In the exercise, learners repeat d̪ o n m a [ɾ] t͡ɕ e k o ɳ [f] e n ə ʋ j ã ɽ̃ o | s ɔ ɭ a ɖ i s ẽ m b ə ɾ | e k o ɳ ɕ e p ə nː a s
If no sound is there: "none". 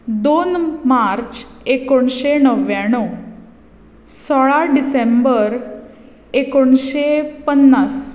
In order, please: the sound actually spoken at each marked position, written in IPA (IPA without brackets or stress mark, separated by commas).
ɾ, ɕ